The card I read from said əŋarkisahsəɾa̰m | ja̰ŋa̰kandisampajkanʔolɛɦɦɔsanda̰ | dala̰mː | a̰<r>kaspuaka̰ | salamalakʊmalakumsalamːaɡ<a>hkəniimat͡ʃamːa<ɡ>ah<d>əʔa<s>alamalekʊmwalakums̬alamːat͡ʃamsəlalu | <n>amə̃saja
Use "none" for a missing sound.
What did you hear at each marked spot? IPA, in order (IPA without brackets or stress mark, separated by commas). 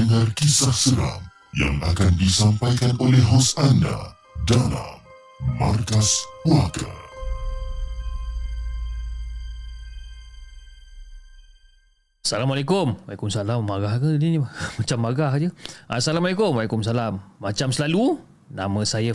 r, a, ɡ, d͡ʒ, s, n